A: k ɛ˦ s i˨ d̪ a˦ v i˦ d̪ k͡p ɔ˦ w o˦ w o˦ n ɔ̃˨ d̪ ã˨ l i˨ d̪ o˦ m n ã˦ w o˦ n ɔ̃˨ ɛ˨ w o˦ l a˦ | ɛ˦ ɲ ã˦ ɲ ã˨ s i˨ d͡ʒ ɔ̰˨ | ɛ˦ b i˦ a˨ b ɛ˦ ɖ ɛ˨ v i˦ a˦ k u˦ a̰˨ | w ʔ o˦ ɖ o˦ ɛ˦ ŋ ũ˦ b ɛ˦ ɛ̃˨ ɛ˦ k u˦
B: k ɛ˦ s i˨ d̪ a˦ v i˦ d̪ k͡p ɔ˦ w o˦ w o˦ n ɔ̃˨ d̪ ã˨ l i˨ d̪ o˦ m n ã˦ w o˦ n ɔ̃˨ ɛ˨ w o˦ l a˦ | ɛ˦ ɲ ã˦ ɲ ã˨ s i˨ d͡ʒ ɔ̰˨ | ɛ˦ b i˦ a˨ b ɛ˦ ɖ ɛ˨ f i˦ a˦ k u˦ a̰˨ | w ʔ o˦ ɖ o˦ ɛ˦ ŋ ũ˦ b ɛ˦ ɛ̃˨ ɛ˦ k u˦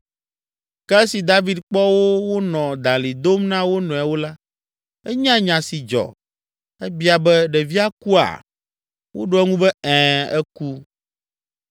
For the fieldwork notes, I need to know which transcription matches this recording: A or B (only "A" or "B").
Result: A